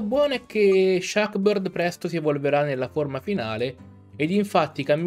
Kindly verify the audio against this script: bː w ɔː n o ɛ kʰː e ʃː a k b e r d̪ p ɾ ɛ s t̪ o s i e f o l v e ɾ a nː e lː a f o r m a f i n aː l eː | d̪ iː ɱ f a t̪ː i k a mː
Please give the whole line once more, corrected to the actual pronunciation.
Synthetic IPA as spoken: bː w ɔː n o ɛ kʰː e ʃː a k b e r d̪ p ɾ ɛ s t̪ o s i e v o l v e ɾ a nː e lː a f o r m a f i n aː l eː | d̪ i ɱ f a t̪ː i k a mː